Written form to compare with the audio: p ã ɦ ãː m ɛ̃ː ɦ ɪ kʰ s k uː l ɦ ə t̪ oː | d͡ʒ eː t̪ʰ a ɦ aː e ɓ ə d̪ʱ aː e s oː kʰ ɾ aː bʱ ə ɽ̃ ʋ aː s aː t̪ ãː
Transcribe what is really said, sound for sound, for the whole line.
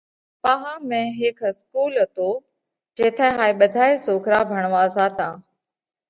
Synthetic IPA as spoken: p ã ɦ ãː m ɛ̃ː ɦ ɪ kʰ s k uː l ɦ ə t̪ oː | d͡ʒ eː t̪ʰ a ɦ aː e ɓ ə d̪ʱ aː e s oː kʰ ɾ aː bʱ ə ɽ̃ ʋ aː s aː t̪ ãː